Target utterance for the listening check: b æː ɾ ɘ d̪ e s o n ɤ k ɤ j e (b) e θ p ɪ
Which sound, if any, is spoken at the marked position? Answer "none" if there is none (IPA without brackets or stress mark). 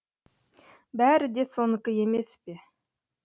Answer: m